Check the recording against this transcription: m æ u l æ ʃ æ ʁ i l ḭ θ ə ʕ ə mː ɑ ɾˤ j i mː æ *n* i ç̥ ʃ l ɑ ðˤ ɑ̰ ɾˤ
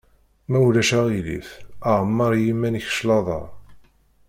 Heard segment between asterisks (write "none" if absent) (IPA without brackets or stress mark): n